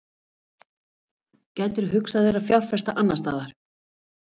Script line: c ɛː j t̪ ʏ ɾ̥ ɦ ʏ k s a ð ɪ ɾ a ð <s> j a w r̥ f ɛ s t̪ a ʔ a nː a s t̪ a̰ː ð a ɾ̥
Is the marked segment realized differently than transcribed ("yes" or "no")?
yes